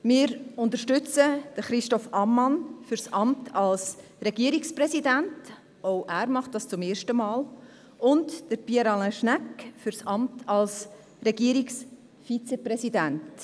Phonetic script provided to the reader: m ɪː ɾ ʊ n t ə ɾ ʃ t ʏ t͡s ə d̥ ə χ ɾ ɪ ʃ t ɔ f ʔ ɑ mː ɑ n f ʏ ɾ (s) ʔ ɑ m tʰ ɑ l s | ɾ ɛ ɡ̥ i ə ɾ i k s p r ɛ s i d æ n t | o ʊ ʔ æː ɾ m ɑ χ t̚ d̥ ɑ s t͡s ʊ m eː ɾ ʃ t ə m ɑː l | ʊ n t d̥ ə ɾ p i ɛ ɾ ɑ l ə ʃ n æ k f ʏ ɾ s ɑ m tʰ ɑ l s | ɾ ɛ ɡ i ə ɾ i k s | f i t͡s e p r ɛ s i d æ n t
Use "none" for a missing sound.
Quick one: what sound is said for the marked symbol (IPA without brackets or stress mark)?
s